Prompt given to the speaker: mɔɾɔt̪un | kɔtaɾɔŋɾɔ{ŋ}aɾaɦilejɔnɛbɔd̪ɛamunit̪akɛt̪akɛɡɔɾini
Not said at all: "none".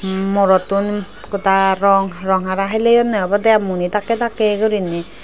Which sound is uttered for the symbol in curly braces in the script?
ŋ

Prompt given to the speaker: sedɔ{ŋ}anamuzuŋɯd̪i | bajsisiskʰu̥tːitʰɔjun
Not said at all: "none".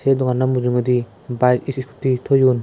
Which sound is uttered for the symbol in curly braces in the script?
ŋ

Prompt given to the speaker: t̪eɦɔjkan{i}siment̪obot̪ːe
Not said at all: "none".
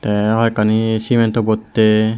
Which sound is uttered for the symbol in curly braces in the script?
i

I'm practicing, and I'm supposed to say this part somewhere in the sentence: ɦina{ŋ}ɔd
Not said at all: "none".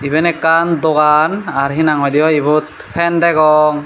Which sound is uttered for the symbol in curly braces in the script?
ŋ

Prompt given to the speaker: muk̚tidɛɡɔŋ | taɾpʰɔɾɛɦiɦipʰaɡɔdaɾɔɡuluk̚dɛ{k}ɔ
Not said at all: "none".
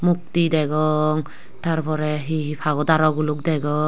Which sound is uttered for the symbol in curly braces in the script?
ɡ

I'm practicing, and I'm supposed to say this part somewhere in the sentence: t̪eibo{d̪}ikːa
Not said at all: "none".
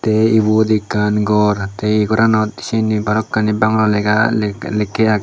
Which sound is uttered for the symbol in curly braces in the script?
d̪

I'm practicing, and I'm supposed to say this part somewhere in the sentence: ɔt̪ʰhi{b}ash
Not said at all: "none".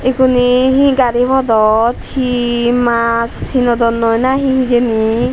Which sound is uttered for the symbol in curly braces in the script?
m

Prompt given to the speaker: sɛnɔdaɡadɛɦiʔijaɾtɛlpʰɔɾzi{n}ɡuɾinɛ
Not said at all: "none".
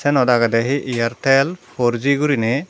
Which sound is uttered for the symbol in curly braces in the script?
none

